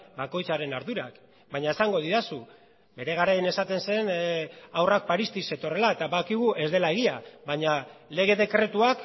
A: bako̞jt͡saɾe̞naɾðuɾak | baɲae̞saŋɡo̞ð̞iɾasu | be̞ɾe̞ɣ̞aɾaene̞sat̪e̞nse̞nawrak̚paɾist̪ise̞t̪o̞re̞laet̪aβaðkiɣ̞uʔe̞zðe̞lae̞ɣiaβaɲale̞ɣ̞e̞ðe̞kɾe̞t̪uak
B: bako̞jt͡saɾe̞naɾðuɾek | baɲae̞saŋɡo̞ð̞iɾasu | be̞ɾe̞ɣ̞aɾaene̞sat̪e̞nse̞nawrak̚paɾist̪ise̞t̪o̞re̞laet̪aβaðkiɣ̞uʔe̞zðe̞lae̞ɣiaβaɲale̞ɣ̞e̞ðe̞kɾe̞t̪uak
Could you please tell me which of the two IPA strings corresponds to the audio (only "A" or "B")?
A